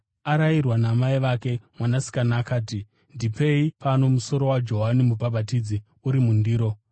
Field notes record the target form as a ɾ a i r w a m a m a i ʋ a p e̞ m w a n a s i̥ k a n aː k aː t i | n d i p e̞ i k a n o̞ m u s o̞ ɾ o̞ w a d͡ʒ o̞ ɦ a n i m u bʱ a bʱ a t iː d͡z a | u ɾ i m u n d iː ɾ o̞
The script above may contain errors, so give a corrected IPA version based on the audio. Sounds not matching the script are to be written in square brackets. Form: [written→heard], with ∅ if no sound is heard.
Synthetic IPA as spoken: a ɾ a i r w a [m→n] a m a i ʋ a [p→k] e̞ m w a n a s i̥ k a n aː k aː t i | n d i p e̞ i [k→p] a n o̞ m u s o̞ ɾ o̞ w a d͡ʒ o̞ ɦ a n i m u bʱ a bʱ a t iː d͡z [a→i] | u ɾ i m u n d iː ɾ o̞